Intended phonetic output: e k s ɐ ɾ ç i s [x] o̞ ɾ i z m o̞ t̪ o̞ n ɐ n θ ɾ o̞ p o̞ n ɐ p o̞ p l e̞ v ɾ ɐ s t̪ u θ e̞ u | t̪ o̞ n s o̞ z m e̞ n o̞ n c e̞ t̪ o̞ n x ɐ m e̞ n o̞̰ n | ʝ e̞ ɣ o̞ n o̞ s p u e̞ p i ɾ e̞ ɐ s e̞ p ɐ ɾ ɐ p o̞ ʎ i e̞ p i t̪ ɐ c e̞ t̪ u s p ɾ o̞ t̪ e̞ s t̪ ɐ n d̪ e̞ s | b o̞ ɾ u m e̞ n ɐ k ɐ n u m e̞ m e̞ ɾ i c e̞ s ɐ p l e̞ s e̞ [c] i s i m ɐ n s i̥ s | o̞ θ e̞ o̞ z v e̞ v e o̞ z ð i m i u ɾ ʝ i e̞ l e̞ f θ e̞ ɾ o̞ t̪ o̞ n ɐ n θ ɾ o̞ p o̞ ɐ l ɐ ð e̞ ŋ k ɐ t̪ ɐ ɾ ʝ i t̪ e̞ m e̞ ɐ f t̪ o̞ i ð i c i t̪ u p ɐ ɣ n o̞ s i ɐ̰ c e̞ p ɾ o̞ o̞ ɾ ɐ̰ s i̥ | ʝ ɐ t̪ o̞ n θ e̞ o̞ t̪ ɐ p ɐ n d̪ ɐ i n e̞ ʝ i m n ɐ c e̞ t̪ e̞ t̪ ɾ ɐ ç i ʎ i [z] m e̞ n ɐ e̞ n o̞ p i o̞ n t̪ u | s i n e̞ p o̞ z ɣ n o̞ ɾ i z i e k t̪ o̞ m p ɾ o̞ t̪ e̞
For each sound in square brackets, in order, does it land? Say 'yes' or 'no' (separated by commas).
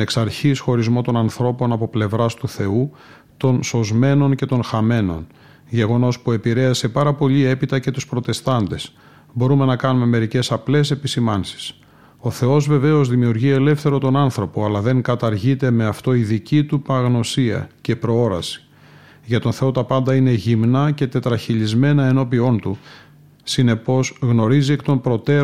yes, no, yes